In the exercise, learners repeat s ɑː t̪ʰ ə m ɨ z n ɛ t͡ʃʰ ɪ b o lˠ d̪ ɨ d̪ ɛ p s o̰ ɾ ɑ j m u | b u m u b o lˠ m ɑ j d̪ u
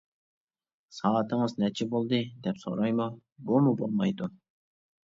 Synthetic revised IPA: s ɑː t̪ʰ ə ŋ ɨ z n ɛ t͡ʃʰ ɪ b o lˠ d̪ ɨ d̪ ɛ p s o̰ ɾ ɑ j m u | b u m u b o lˠ m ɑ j d̪ u